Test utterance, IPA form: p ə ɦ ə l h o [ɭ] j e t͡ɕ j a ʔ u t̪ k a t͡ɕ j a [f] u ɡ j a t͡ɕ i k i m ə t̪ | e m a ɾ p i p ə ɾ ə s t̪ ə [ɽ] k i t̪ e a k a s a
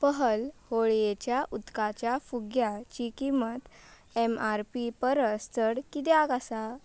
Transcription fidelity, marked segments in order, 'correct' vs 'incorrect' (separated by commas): correct, correct, correct